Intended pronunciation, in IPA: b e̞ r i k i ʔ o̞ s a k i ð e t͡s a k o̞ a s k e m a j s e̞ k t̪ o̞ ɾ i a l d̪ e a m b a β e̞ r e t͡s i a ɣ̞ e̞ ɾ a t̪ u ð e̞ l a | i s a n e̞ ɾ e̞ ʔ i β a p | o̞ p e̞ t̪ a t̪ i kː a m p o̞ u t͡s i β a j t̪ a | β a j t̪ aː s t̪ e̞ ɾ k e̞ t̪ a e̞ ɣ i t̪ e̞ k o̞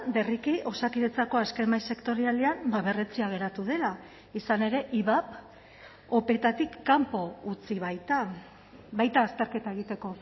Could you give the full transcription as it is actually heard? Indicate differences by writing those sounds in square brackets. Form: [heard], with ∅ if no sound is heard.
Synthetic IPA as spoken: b e̞ r i k i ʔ o̞ s a k i ð e t͡s a k o̞ a s k e m a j s e̞ k t̪ o̞ ɾ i a l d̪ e a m b a β e̞ r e t͡s i a ɣ̞ e̞ ɾ a t̪ u ð e̞ l a | i s a n e̞ ɾ e̞ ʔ i β a p | o̞ p e̞ t̪ a t̪ i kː a m p o̞ u t͡s i β a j t̪ a | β a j t̪ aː s t̪ e̞ ɾ k e̞ t̪ a e̞ ɣ i t̪ e̞ k o̞